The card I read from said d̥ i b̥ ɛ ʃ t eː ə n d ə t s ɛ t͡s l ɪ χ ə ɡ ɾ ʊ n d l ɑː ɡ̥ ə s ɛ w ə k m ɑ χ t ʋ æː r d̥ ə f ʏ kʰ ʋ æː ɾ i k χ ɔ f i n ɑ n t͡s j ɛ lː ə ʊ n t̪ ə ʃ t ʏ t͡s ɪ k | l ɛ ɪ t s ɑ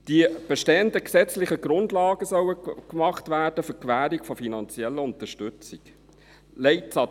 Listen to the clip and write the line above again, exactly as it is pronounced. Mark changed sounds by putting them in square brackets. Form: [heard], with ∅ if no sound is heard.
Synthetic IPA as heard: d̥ i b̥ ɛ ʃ t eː ə n d ə [k] s ɛ t͡s l ɪ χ ə ɡ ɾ ʊ n d l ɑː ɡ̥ ə s [œ] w ə k m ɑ χ t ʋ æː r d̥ ə f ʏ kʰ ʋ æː ɾ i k [f] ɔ f i n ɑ n t͡s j ɛ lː ə ʊ n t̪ ə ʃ t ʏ t͡s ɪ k | l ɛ ɪ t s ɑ